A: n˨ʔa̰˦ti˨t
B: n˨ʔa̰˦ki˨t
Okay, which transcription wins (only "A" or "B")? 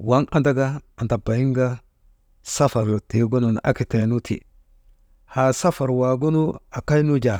B